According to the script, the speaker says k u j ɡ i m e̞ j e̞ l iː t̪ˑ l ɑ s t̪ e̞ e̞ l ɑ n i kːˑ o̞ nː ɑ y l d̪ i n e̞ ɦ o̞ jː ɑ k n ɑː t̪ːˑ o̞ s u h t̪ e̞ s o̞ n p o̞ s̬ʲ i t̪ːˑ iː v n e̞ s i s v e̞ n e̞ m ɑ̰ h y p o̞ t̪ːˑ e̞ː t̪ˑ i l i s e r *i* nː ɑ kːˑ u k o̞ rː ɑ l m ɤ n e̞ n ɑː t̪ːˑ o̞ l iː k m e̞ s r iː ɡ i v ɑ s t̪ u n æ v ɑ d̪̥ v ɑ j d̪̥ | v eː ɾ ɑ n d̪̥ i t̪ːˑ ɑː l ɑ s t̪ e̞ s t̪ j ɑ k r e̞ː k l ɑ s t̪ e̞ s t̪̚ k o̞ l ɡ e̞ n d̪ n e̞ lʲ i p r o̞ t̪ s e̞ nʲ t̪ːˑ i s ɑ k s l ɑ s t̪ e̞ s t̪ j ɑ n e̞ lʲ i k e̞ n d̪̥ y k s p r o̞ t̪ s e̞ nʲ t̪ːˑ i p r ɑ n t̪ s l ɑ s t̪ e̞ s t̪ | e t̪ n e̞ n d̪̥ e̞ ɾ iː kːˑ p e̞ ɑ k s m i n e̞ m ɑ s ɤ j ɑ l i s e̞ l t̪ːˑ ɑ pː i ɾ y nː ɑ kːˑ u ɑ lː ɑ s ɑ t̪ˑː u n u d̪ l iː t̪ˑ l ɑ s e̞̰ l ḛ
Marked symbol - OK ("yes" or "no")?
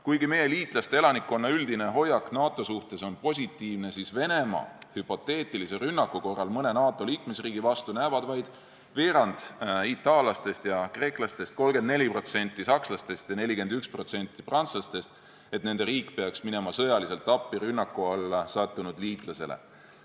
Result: no